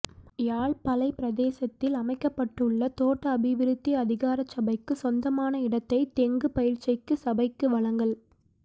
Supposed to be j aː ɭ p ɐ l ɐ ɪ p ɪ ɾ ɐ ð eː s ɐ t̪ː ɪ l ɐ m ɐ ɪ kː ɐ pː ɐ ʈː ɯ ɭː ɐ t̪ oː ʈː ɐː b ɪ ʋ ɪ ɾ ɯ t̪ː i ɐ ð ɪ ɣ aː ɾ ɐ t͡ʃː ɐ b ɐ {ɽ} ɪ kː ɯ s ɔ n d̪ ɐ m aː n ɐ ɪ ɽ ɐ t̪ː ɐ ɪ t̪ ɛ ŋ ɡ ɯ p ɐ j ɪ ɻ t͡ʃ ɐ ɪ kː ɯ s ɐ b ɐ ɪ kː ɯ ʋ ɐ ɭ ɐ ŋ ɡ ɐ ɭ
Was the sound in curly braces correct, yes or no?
no